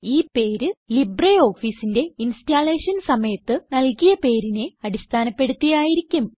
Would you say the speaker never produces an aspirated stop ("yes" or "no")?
no